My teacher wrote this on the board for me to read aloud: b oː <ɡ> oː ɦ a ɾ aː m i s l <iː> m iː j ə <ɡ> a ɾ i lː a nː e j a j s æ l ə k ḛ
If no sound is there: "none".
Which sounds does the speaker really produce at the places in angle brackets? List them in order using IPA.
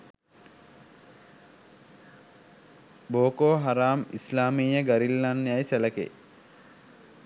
k, aː, ɡ

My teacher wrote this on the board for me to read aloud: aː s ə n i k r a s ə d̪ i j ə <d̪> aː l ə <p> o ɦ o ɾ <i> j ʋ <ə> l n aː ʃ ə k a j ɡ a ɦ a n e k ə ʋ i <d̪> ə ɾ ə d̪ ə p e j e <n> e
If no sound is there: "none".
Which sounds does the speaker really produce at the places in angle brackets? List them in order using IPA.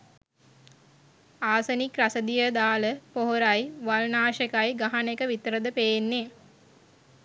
d̪, p, a, a, t̪, nː

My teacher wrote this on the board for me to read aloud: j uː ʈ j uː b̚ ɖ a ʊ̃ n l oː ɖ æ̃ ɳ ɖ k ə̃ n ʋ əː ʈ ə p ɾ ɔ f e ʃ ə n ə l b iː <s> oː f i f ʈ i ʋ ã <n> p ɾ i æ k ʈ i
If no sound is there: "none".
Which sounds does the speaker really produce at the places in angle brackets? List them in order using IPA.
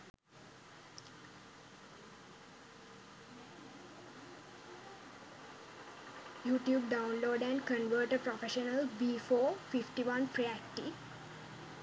f, n

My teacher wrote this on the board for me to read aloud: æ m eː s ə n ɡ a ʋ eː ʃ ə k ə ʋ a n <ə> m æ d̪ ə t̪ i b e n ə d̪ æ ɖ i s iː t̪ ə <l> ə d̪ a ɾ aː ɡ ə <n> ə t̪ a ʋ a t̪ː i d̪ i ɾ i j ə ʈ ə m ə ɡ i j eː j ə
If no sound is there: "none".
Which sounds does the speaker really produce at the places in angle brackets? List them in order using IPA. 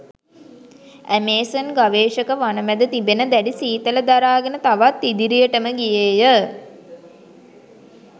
ə, l, n

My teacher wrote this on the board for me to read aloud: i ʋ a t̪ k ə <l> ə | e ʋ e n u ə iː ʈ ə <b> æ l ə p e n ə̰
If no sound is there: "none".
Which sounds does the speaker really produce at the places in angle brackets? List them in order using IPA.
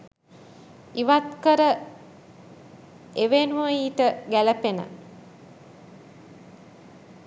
ɾ, ɡ

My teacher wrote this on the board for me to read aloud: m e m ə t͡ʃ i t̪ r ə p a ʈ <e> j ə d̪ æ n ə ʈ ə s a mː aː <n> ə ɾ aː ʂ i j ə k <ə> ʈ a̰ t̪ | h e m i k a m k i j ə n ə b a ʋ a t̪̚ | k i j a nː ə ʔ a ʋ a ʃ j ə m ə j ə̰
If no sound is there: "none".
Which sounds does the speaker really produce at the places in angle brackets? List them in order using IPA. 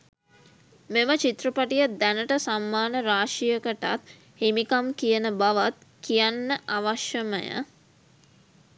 i, n, ə

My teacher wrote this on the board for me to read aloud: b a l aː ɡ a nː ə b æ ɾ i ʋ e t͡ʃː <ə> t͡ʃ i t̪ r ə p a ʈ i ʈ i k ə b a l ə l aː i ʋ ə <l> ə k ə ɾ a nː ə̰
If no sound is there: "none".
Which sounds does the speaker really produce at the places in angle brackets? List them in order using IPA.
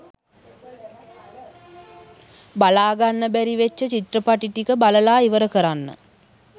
ə, ɾ

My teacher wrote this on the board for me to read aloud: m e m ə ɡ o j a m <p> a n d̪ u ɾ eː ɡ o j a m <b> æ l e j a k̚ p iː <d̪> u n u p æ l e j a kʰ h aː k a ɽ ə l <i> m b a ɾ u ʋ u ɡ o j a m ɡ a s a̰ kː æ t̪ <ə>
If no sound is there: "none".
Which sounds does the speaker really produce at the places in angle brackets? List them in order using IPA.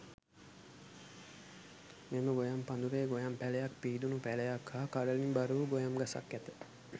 p, p, d̪, i, ə

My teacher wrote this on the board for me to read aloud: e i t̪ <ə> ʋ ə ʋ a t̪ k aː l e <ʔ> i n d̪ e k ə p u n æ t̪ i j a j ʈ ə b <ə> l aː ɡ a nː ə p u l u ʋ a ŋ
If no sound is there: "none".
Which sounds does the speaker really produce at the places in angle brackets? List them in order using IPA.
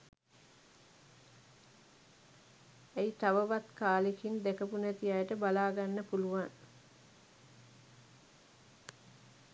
a, k, a

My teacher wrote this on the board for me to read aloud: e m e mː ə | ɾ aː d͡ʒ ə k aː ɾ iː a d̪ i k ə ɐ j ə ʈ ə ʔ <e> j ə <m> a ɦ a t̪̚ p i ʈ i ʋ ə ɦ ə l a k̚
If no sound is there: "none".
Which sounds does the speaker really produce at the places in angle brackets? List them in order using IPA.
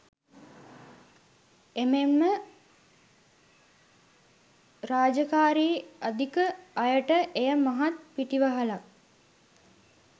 e, m

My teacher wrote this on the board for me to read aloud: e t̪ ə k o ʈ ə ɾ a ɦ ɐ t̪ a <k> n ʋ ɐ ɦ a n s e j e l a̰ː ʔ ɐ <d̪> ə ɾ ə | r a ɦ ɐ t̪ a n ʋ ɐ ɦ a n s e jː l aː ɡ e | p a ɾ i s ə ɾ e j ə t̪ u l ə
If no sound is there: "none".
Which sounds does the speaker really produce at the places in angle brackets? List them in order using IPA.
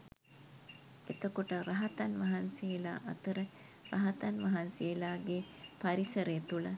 none, t̪

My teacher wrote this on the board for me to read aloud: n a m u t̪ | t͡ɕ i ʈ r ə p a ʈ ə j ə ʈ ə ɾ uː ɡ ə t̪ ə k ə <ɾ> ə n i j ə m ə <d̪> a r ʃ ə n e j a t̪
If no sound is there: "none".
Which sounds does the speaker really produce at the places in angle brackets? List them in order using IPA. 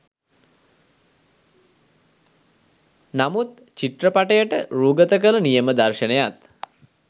l, d̪

